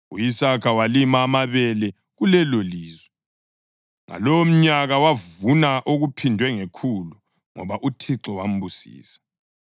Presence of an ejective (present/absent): absent